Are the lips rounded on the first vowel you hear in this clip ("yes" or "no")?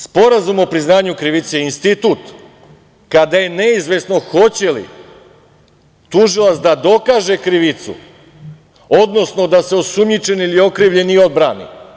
yes